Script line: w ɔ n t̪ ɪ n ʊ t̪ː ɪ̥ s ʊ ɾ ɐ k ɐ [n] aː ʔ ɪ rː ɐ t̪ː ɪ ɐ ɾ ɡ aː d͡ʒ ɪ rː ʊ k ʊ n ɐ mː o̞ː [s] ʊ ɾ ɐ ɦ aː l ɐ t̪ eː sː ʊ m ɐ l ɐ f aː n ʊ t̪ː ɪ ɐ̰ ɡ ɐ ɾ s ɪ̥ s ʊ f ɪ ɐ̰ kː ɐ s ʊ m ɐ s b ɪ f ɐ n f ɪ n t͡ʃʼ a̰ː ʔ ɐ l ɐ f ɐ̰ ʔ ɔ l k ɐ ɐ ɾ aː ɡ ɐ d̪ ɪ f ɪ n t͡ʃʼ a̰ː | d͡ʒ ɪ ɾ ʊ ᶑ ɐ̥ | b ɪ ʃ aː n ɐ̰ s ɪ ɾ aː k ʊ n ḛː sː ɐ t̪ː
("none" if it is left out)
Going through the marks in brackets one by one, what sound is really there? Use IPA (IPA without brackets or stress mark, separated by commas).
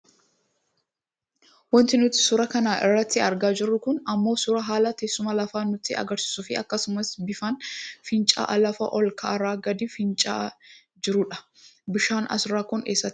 n, s